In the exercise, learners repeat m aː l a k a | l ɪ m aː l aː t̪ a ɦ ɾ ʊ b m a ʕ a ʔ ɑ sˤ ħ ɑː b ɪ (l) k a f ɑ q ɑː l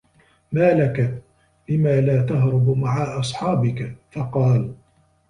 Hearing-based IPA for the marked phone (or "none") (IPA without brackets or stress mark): none